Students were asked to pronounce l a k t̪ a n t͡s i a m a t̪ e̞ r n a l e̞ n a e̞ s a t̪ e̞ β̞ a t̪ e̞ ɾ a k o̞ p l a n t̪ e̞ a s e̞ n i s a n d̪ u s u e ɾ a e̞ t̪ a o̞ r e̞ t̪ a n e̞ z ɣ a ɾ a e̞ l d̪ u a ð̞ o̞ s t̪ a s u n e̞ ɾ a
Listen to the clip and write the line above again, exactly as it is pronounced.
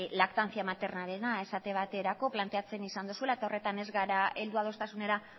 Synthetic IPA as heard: l a k t̪ a n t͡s i a m a t̪ e̞ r n a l e̞ n a e̞ s a t̪ e̞ β̞ a t̪ e̞ ɾ a k o̞ p l a n t̪ e̞ a t͡s e̞ n i s a n d̪ u s u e l a e̞ t̪ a o̞ r e̞ t̪ a n e̞ z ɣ a ɾ a e̞ l d̪ u a ð̞ o̞ s t̪ a s u n e̞ ɾ a